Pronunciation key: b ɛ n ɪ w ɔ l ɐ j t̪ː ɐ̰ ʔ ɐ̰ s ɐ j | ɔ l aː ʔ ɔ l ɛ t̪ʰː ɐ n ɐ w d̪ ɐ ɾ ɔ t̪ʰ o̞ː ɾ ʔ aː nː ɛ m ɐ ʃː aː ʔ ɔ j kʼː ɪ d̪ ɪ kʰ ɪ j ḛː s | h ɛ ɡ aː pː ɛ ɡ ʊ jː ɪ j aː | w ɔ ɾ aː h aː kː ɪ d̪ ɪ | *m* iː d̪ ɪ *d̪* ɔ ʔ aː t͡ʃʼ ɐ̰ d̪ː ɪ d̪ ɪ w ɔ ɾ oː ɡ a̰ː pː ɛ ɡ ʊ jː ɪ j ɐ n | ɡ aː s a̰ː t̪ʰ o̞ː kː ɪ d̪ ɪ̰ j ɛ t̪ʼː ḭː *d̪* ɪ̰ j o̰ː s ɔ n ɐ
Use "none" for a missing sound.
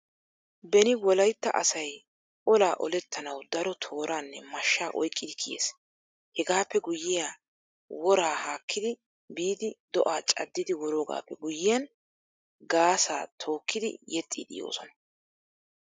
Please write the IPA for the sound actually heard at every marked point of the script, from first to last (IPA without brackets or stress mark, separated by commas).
b, d̪, d̪